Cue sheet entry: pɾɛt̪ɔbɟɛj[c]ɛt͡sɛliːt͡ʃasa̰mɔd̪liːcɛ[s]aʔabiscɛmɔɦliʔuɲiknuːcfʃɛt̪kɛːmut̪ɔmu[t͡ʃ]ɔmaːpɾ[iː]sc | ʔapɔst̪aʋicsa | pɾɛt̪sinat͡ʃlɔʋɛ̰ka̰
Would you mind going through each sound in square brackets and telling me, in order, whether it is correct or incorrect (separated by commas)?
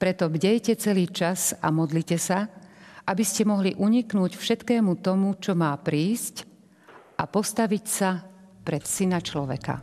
correct, correct, correct, correct